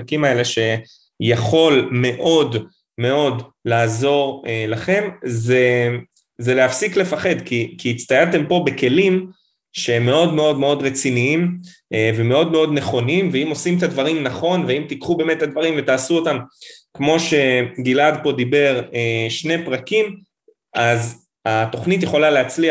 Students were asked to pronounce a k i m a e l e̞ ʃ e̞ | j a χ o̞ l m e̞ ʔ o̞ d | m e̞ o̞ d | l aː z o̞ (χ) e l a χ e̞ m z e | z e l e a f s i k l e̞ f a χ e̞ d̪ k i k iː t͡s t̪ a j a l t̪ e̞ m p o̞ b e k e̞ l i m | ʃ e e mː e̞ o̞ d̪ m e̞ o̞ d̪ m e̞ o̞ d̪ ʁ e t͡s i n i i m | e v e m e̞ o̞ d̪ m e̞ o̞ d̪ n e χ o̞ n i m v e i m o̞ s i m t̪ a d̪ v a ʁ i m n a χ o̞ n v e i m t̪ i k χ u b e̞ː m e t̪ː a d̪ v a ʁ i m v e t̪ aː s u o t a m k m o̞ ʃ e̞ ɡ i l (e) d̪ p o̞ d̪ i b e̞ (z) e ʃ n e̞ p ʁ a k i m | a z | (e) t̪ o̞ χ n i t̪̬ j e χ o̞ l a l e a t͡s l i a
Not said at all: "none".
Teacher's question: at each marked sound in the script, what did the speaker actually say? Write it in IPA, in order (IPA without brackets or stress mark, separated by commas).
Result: ʁ, a, ʁ, a